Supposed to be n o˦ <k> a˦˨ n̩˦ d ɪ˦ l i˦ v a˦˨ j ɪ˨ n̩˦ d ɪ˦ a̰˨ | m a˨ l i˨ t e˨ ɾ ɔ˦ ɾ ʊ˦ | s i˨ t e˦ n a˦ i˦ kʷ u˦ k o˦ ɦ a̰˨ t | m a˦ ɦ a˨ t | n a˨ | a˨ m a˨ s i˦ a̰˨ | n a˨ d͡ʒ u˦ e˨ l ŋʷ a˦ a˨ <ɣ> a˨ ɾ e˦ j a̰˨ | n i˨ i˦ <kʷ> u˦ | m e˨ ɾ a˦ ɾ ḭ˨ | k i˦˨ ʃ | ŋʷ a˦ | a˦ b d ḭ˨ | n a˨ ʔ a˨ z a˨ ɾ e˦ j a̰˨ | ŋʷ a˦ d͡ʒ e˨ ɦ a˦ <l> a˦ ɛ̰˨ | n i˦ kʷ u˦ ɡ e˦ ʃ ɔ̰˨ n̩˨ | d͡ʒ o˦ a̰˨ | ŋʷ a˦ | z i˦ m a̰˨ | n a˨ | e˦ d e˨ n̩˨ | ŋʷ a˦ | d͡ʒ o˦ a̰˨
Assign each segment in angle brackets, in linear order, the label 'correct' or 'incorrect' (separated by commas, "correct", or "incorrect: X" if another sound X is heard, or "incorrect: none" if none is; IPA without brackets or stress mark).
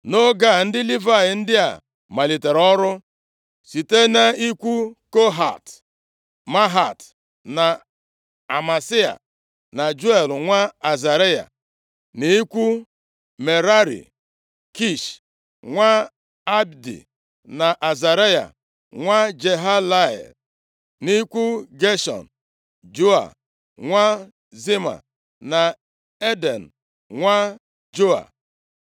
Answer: incorrect: ɡ, incorrect: z, correct, correct